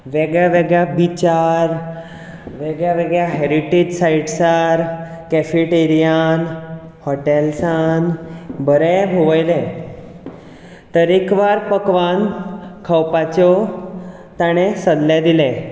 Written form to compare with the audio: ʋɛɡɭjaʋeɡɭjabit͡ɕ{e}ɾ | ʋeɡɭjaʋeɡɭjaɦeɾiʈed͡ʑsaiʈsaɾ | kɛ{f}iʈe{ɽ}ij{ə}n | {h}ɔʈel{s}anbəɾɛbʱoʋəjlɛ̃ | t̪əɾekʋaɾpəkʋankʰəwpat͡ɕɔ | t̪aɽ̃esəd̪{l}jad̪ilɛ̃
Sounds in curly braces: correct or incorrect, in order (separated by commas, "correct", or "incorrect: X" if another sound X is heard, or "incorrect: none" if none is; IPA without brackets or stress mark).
incorrect: a, correct, incorrect: ɾ, incorrect: a, correct, correct, correct